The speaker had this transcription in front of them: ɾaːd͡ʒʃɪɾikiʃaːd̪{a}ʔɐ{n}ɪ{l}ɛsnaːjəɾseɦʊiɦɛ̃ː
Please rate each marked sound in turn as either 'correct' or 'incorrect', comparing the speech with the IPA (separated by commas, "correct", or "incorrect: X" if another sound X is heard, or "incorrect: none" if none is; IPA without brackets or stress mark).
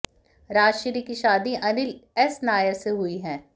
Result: incorrect: i, correct, correct